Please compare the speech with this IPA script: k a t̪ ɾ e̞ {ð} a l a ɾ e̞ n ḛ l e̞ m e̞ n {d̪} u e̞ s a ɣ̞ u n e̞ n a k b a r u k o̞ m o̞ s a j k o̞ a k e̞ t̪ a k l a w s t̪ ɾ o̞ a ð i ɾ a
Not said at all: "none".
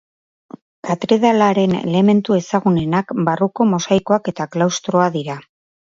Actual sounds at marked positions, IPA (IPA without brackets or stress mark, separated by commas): ð, t̪